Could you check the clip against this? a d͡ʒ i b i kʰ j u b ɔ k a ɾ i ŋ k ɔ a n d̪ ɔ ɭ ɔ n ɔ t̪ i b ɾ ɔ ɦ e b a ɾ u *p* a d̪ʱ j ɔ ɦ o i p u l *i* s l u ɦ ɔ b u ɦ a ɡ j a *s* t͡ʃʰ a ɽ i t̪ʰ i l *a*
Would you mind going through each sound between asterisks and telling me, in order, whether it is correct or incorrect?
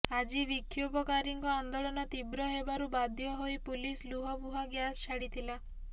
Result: incorrect: b, correct, correct, correct

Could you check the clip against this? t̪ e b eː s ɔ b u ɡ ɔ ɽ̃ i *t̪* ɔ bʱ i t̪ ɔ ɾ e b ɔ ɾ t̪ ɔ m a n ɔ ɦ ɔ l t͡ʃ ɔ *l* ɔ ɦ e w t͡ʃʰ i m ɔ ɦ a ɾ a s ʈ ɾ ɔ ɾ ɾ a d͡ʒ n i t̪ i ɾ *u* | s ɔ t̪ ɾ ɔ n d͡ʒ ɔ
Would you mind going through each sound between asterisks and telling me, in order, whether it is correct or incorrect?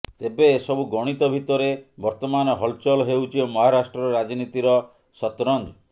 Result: correct, correct, incorrect: ɔ

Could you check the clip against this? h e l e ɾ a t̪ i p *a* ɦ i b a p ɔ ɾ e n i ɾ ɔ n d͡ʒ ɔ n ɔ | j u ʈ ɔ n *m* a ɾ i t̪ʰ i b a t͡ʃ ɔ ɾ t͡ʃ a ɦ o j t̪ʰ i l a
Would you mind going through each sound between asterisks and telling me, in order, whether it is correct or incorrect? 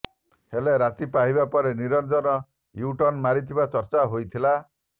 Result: correct, correct

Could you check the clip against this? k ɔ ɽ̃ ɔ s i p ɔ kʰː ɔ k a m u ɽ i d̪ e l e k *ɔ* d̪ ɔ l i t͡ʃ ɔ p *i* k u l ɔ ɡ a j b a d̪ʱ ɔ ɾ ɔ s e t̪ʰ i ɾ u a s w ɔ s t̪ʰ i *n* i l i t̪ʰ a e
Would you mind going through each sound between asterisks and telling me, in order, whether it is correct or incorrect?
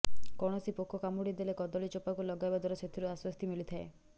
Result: correct, incorrect: a, incorrect: m

